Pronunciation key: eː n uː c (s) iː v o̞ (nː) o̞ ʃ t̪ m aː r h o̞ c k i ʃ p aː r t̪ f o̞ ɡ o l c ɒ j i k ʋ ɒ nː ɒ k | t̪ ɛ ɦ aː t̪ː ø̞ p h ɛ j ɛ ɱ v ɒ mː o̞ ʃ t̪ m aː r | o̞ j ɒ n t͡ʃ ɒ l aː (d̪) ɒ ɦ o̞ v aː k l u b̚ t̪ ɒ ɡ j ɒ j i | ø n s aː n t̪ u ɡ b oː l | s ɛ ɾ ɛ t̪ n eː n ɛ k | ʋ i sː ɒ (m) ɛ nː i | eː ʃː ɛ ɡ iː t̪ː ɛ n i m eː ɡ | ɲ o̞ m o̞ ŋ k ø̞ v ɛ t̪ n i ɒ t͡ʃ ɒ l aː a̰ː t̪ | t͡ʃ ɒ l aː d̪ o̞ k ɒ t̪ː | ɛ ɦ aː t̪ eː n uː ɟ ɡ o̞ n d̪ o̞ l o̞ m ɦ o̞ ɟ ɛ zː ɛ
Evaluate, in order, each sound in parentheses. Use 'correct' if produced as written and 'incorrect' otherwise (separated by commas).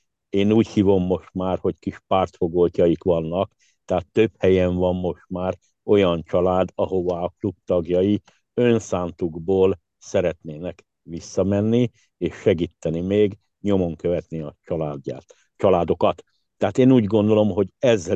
incorrect, incorrect, correct, correct